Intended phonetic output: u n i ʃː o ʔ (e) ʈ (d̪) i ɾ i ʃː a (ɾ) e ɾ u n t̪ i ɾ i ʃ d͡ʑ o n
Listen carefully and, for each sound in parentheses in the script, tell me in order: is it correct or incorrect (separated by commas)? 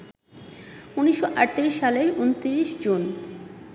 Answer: incorrect, incorrect, incorrect